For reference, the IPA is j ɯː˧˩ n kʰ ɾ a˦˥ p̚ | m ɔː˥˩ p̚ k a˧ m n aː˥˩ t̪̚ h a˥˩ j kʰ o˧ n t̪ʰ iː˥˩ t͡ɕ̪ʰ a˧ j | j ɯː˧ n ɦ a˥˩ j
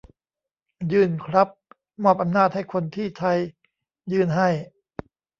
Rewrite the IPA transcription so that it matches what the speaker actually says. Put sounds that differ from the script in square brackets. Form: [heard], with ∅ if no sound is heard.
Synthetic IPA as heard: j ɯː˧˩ n kʰ ɾ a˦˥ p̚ | m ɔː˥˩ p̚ [ʔ] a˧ m n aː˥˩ t̪̚ h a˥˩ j kʰ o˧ n t̪ʰ iː˥˩ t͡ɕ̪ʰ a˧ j | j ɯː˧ n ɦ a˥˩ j